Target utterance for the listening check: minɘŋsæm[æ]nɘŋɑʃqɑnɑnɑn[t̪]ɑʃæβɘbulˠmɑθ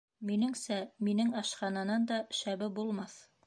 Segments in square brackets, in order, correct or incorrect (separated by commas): incorrect, incorrect